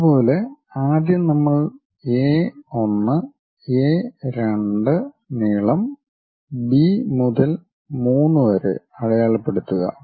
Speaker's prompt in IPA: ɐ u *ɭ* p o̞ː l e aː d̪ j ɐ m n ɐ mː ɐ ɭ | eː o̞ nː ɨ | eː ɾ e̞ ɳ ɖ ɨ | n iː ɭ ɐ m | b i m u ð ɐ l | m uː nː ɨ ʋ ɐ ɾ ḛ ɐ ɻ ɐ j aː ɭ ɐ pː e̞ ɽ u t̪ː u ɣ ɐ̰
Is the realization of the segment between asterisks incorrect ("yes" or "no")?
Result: yes